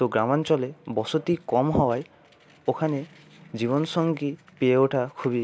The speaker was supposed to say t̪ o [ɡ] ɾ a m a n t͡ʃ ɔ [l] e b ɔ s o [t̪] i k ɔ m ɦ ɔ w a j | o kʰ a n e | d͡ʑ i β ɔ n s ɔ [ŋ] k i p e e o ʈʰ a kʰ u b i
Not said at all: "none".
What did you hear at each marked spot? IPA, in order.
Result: ɡ, l, t̪, ŋ

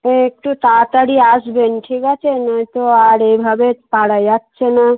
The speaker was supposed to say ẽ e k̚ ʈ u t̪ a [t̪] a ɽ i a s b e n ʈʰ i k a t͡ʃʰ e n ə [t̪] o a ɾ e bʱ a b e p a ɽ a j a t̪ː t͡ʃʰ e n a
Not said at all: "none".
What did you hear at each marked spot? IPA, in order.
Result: t̪, t̪

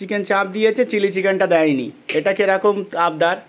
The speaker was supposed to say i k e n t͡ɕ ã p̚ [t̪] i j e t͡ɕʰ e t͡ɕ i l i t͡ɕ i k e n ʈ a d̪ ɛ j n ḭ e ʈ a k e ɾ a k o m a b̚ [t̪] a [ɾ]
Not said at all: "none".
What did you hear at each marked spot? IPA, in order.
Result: d̪, d̪, ɾ

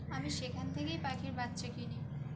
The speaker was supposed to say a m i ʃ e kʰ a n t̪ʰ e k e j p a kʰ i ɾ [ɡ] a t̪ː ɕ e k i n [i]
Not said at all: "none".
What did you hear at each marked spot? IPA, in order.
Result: b, i

